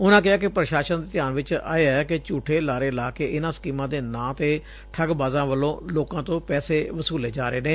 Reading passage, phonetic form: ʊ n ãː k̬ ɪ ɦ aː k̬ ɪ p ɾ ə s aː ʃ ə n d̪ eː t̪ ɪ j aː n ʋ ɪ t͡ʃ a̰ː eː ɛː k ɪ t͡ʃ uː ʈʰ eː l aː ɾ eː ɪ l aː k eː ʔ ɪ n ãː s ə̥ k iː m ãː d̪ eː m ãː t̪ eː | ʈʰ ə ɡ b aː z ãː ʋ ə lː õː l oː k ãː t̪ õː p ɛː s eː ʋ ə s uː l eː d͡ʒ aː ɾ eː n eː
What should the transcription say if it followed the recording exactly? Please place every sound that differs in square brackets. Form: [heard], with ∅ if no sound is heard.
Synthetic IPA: ʊ n ãː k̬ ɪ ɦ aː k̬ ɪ p ɾ ə [ʃ] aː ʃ ə n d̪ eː t̪ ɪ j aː n ʋ ɪ t͡ʃ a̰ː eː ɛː k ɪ t͡ʃ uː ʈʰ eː l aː ɾ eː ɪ l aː k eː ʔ ɪ n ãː s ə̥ k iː m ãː d̪ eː [n] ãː t̪ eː | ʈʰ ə ɡ b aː z ãː ʋ ə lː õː l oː k ãː t̪ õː p ɛː s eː ʋ ə s uː l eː d͡ʒ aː ɾ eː n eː